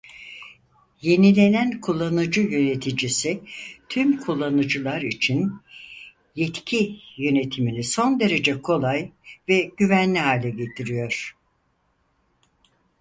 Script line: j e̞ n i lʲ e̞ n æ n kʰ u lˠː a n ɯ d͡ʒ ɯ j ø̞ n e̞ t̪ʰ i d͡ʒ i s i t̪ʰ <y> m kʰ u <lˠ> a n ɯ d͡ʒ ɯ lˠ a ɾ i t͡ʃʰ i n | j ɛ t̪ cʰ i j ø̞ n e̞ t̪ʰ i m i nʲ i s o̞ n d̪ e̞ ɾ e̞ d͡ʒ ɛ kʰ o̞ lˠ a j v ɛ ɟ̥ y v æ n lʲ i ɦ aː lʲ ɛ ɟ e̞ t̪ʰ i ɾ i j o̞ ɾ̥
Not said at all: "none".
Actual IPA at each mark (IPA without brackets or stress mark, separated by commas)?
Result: y, lˠː